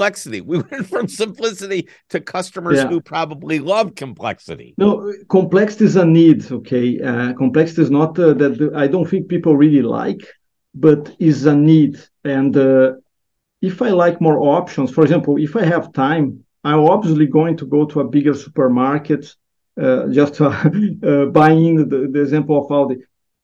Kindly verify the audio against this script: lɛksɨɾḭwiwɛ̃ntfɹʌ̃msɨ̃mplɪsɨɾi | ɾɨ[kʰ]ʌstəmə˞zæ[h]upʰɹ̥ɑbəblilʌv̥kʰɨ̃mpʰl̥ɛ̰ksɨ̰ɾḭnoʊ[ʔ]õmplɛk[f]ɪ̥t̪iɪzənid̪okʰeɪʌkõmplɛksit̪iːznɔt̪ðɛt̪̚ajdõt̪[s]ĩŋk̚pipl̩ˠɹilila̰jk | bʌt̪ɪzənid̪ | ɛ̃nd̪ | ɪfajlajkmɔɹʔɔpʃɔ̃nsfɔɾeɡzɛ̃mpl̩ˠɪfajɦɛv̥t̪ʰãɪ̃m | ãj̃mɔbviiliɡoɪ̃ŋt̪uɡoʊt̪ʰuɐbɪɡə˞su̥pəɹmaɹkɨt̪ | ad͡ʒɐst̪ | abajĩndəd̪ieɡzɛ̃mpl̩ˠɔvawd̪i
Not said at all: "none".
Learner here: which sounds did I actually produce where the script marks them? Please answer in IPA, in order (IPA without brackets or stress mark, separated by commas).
kʰ, h, k, s, θ